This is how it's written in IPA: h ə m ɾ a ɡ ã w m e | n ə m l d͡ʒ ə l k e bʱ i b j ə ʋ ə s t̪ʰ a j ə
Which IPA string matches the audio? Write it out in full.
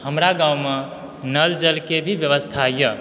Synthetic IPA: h ə m ɾ a ɡ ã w m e | n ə l d͡ʒ ə l k e bʱ i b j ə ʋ ə s t̪ʰ a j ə